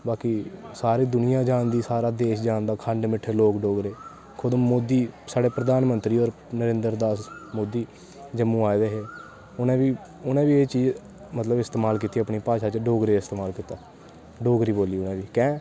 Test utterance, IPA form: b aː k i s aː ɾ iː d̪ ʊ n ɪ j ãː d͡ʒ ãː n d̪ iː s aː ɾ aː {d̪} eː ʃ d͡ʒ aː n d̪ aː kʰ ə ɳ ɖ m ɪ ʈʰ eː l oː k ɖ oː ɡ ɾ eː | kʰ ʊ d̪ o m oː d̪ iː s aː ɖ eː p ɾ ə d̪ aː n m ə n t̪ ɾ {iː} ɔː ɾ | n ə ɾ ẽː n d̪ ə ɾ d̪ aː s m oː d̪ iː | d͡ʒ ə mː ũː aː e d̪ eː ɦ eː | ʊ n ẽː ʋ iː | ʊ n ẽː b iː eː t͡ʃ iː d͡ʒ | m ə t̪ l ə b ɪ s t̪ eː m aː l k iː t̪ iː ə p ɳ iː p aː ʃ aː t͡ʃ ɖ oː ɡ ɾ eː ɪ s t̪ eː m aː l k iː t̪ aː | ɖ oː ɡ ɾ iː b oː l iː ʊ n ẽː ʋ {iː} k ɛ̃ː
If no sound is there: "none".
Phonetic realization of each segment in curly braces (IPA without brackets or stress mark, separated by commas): d̪, iː, iː